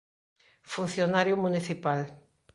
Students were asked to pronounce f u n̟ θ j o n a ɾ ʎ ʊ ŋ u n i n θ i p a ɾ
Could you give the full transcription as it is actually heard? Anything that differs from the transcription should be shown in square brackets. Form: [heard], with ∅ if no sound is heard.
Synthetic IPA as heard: f u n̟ θ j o n a ɾ [j] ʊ [m] u n i [∅] θ i p a [l]